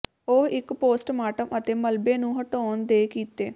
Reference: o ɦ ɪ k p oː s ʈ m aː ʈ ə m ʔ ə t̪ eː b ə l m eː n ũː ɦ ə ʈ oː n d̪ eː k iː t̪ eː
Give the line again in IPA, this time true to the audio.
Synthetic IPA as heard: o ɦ ɪ k p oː s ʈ m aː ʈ ə m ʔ ə t̪ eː m ə l b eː n ũː ɦ ə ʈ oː n d̪ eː k iː t̪ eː